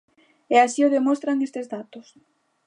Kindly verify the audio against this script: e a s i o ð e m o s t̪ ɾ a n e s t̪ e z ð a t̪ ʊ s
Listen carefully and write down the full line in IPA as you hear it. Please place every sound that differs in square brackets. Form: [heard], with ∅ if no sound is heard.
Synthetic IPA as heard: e a s i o ð e m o s t̪ ɾ a [ŋ] e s t̪ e z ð a t̪ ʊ s